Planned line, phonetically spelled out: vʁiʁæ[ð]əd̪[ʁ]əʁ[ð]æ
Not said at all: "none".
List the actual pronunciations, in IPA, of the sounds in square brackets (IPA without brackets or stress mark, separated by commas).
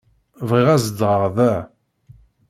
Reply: z, ʁ, ð